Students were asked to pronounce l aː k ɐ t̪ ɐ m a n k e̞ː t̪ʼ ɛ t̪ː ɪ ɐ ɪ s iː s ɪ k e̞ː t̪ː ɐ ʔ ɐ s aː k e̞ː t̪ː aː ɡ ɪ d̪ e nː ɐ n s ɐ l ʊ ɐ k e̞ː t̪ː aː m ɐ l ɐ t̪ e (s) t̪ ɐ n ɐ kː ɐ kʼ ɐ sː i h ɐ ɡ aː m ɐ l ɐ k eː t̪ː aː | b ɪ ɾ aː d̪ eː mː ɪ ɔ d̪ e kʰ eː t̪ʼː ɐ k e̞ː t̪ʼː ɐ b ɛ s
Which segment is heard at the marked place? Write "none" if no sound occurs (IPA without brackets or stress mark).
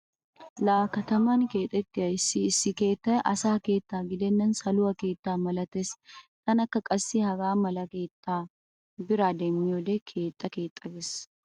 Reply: s